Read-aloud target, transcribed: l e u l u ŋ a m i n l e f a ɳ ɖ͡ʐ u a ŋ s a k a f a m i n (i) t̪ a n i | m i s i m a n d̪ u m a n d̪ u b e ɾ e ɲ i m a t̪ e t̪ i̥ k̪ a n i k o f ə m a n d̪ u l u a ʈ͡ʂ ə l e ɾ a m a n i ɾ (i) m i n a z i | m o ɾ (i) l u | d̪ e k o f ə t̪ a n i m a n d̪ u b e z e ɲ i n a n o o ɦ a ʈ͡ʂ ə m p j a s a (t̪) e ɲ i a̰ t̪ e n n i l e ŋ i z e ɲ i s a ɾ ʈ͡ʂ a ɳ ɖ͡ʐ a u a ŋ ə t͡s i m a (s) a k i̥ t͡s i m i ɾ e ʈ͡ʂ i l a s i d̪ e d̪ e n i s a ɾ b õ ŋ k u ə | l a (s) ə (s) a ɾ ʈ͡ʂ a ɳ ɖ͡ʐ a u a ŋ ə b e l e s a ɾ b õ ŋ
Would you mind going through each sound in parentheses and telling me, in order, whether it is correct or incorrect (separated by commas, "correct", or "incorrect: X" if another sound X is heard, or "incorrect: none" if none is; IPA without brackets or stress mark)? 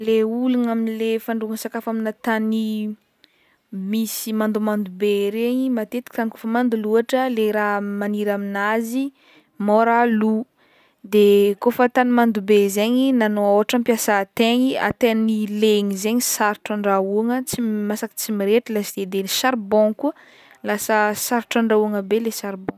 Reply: incorrect: a, incorrect: a, incorrect: a, correct, correct, correct, correct